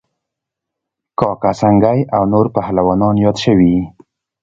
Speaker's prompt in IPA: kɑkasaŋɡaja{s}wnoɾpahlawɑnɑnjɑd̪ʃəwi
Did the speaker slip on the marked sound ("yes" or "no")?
yes